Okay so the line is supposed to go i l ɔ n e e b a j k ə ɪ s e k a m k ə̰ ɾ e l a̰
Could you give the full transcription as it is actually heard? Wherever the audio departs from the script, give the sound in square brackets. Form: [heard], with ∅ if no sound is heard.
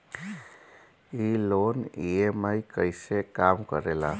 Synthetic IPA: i l [o] n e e [m] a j k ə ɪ s e k a m k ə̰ ɾ e l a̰